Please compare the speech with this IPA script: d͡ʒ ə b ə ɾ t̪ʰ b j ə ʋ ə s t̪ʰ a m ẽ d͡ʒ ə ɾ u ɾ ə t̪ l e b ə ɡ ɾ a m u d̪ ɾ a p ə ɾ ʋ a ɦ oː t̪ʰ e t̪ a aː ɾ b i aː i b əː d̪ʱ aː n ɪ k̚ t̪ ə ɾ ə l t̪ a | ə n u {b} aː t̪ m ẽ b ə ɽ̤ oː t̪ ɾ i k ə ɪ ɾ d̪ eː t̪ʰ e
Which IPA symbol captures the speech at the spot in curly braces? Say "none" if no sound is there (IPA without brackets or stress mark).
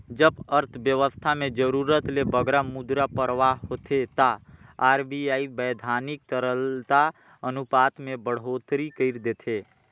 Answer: p